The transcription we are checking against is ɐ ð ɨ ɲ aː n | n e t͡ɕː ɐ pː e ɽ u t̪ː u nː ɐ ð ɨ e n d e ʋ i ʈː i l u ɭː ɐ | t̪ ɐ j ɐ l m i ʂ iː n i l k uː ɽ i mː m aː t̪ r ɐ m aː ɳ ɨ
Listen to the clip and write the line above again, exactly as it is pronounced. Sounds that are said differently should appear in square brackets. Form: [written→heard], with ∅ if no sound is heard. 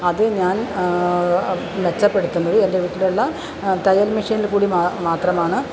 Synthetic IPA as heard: ɐ ð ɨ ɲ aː n | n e t͡ɕː ɐ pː e ɽ u t̪ː u nː ɐ ð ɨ e n d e ʋ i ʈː i l u ɭː ɐ | t̪ ɐ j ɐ l m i ʂ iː n i l k uː ɽ i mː m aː t̪ r ɐ m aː ɳ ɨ